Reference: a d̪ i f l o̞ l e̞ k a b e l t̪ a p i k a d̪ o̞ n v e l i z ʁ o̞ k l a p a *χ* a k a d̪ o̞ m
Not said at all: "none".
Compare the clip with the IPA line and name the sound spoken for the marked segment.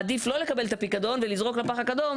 χ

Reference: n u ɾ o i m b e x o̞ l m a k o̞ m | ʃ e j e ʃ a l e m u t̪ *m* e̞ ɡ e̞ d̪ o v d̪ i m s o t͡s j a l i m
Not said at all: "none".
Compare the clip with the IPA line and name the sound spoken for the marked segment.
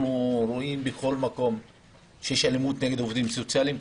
n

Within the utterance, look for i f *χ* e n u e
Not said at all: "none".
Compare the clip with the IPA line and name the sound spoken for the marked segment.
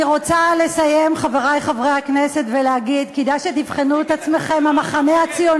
χ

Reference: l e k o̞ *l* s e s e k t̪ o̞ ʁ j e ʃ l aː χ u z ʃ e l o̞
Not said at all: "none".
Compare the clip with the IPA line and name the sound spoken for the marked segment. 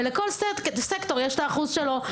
l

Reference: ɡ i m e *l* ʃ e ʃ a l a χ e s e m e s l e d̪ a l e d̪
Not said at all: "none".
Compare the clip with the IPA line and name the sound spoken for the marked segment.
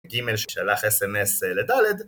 l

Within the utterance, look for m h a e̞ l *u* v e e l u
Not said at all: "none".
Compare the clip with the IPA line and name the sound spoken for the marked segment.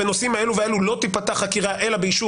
u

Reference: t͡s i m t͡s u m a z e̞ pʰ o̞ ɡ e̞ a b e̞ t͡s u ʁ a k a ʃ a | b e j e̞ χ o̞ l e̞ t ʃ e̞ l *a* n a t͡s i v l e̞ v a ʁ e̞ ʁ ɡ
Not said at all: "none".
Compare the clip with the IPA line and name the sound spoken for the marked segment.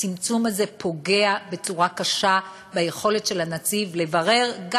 a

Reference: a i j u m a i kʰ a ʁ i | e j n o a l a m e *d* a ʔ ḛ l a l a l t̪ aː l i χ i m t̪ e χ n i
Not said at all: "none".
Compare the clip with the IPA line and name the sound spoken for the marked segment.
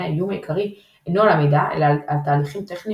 d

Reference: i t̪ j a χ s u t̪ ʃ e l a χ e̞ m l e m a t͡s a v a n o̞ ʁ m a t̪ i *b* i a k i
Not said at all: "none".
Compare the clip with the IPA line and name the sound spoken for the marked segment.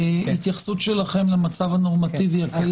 v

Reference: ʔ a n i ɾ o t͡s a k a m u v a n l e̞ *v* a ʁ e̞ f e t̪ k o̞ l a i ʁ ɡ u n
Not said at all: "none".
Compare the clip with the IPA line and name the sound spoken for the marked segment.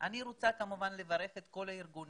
v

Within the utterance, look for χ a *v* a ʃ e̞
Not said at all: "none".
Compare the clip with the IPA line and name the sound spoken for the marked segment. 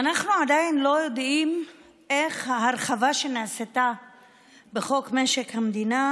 v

